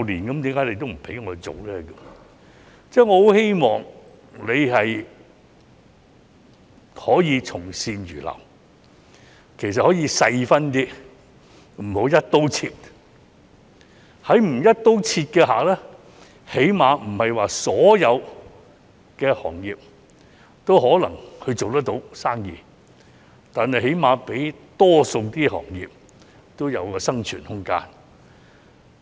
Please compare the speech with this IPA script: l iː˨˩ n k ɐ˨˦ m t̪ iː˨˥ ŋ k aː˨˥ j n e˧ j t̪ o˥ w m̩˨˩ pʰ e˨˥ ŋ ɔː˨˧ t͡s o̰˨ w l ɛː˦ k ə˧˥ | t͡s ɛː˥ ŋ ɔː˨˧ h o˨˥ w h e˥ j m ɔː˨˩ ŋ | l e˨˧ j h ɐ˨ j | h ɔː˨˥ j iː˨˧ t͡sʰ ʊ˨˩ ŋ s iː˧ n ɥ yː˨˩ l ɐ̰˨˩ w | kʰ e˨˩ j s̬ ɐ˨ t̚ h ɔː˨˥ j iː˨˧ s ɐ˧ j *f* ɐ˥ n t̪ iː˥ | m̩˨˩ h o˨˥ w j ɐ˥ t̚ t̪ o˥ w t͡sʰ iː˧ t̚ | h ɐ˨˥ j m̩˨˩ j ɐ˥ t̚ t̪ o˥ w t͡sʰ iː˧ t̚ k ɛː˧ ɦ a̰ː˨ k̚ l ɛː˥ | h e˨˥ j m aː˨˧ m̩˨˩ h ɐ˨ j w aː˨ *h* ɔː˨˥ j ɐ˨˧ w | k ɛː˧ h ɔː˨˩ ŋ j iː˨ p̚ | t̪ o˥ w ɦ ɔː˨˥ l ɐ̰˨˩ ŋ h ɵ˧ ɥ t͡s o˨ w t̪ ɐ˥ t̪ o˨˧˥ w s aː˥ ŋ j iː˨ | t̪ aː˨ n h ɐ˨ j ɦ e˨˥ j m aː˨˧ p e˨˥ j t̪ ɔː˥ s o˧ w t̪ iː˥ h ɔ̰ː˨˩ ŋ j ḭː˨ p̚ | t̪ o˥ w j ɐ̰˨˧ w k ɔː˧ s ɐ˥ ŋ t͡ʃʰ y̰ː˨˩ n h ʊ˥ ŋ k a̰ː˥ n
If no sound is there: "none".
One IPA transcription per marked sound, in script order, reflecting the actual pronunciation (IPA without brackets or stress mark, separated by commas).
f, s